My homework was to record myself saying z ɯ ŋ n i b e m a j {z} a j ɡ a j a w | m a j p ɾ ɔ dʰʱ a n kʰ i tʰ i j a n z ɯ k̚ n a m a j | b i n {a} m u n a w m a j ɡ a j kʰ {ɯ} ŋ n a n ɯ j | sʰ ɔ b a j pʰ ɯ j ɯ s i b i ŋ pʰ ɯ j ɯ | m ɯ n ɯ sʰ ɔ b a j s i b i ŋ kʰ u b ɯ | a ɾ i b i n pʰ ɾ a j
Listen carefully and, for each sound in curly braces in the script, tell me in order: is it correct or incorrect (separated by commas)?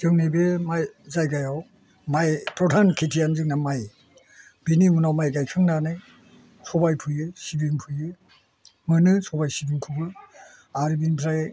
correct, incorrect, correct